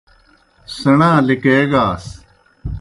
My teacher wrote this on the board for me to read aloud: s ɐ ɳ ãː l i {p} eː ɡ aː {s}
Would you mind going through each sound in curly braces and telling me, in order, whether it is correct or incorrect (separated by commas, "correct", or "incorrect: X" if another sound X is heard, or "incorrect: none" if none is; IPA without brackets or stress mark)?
incorrect: k, correct